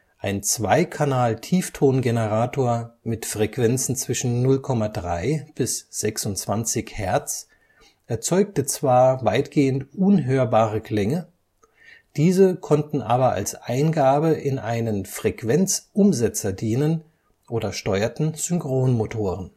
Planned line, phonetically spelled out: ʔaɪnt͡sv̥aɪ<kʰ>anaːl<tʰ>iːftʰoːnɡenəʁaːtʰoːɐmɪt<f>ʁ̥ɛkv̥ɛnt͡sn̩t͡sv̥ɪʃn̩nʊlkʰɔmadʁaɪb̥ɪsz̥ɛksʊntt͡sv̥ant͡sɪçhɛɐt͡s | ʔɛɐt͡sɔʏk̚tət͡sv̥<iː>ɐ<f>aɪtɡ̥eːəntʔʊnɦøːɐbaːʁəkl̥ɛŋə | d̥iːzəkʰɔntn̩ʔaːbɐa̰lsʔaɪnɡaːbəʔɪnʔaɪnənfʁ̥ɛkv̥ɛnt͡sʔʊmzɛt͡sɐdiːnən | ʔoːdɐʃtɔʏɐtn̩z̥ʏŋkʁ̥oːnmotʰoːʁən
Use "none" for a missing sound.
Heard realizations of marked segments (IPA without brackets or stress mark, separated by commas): kʰ, tʰ, f, aː, v